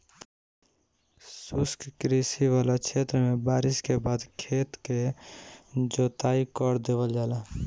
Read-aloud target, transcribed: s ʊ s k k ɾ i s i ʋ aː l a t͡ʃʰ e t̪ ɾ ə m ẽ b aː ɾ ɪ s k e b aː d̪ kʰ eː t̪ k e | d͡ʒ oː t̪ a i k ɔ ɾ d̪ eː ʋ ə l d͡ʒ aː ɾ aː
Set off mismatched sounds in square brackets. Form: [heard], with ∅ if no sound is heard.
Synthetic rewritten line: s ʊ s k k ɾ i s i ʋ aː l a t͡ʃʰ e t̪ ɾ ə m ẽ b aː ɾ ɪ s k e b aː d̪ kʰ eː t̪ k e | d͡ʒ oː t̪ a i k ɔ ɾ d̪ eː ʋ ə l d͡ʒ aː [l] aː